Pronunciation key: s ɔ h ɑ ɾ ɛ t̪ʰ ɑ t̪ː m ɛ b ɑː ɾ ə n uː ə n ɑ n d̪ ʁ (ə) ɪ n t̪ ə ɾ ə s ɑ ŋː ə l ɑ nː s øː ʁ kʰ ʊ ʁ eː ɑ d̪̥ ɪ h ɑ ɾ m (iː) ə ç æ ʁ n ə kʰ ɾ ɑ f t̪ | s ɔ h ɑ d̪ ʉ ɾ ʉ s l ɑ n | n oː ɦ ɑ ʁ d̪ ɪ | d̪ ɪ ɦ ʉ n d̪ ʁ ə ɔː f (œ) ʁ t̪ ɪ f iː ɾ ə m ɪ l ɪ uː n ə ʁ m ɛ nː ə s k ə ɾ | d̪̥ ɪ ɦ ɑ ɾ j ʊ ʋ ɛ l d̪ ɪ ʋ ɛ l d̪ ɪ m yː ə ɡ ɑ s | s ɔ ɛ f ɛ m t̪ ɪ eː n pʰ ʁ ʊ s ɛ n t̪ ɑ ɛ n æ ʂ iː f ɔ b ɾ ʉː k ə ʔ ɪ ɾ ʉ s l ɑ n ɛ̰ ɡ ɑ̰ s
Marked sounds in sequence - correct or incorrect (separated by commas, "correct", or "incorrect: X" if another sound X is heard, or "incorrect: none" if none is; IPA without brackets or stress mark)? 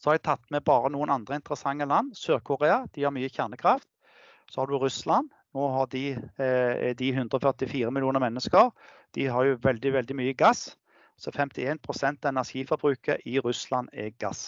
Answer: correct, incorrect: yː, correct